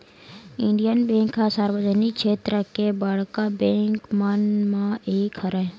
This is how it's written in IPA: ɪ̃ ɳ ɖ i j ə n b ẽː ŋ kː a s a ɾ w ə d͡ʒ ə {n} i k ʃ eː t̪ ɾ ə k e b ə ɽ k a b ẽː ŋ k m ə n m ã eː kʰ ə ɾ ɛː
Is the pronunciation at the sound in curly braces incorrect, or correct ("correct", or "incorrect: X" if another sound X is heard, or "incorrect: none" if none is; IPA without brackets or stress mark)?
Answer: correct